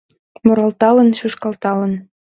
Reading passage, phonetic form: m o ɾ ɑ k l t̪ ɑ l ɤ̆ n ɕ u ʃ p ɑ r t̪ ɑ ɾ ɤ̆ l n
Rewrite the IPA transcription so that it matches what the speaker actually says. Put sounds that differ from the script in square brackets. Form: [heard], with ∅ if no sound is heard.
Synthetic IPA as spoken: m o ɾ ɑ [∅] l t̪ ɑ l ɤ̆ n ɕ u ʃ [k] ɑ [l] t̪ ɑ [l] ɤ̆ [∅] n